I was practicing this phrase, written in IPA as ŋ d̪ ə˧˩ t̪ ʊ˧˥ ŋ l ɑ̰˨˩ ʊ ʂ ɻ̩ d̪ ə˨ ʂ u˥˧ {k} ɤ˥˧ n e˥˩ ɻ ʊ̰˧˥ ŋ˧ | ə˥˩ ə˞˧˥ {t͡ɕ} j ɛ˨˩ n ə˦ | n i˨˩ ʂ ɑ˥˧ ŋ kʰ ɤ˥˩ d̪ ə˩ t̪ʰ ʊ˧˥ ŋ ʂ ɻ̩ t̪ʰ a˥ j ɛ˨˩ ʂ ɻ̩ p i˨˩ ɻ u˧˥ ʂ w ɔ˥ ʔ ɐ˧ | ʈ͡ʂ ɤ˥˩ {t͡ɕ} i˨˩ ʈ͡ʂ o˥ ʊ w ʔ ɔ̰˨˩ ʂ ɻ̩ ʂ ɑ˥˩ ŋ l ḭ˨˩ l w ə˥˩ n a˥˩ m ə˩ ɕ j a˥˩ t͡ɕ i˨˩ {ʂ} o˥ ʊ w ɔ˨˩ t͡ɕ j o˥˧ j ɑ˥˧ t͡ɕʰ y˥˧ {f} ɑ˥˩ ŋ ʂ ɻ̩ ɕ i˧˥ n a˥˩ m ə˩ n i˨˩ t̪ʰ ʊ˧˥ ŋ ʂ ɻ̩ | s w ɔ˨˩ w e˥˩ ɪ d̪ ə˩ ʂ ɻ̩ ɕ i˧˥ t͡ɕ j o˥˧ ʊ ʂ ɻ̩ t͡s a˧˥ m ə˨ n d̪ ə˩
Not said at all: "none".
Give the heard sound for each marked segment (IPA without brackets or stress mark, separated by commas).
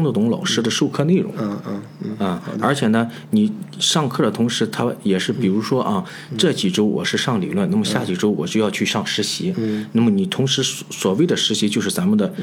kʰ, t͡ɕʰ, t͡ɕ, ʈ͡ʂ, ʂ